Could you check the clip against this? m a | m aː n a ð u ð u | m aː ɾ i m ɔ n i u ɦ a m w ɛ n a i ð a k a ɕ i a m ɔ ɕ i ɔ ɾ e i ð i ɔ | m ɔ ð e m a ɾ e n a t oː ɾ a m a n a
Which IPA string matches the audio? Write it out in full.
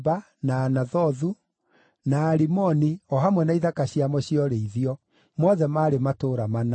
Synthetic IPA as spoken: b a | n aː n a ð ɔ ð u | n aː ɾ i m ɔ n i ɔ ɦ a m w ɛ n a i ð a k a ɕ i a m ɔ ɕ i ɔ ɾ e i ð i ɔ | m ɔ ð ɛ m a ɾ e m a t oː ɾ a m a n a